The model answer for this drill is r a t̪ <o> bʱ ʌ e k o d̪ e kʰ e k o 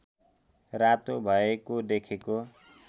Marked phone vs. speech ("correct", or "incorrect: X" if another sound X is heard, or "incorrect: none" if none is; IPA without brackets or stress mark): correct